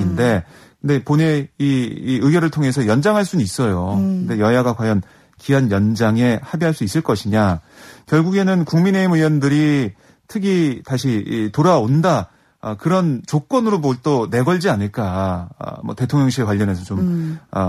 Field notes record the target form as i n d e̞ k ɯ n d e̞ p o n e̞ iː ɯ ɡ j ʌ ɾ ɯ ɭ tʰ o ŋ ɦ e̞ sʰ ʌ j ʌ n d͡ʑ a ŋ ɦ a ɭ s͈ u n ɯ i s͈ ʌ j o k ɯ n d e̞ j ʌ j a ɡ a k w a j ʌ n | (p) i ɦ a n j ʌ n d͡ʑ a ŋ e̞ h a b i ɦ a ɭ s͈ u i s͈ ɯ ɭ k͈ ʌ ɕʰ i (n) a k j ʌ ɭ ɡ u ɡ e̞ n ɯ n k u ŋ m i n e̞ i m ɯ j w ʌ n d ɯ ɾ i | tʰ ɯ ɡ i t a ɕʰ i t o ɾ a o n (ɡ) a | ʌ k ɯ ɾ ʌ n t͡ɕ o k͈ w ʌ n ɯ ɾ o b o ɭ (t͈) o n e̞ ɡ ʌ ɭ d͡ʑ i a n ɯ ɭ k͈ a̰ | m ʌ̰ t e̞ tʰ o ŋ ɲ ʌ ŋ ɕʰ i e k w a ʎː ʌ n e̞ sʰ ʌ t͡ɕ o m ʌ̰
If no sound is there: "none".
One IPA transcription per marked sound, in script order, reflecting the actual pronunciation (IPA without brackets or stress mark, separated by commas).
k, ɲ, d, t͈